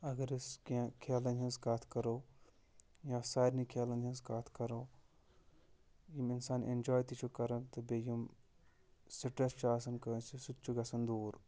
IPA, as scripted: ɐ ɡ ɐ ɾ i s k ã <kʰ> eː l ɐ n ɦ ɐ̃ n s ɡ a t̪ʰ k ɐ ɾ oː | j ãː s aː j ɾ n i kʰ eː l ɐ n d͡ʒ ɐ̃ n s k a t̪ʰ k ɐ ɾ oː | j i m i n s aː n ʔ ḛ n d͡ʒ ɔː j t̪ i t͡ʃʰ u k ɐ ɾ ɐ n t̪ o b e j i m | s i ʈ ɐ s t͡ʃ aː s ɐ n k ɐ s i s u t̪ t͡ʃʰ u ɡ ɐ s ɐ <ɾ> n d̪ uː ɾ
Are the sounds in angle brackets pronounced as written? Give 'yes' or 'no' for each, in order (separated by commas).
yes, no